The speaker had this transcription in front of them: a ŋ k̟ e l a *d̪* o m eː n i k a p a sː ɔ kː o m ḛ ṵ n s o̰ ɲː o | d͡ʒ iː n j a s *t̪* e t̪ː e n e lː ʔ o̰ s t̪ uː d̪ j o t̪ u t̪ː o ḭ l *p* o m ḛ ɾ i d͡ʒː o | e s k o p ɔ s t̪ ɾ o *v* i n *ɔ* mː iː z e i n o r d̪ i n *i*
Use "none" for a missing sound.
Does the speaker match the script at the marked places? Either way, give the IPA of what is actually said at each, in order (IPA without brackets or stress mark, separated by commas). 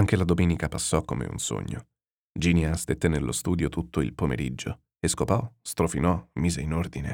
d̪, t̪, p, f, ɔ, e